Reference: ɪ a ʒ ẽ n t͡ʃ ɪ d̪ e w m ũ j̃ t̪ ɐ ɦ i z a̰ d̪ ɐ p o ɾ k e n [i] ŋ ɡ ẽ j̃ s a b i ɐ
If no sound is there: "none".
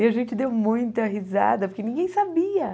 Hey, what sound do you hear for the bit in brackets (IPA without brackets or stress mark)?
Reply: ĩ